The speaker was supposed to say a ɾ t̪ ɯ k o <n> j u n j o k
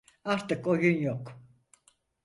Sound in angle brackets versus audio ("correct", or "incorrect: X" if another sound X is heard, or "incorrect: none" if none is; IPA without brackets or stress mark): incorrect: none